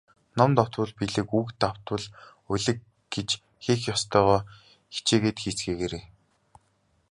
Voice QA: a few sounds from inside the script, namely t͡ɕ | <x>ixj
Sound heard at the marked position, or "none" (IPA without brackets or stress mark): x